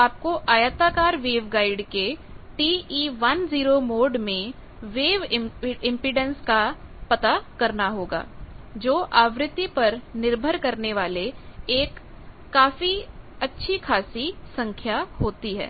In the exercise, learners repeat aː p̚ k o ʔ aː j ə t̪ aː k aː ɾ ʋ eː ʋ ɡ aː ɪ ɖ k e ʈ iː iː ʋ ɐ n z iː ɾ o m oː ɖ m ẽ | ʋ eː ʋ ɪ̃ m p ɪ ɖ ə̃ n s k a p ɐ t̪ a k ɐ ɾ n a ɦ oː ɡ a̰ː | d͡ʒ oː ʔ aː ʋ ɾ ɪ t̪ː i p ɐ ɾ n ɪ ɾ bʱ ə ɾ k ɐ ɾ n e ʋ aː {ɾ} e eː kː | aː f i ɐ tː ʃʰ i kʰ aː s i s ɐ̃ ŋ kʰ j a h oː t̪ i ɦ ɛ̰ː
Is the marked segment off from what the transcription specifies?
yes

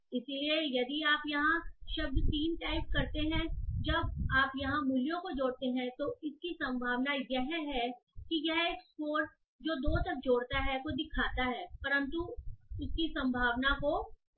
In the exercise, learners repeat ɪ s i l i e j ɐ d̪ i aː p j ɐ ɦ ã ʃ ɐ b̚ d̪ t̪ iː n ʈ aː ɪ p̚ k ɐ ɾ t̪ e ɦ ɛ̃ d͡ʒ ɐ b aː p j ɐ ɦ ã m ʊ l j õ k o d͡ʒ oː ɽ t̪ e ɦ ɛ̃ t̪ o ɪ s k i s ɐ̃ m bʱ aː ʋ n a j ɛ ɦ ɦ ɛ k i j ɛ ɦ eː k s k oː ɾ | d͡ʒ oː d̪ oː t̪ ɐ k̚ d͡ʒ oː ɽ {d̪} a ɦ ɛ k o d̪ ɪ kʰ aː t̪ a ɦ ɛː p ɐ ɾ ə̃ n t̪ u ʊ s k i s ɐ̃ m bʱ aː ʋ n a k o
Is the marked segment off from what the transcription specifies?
yes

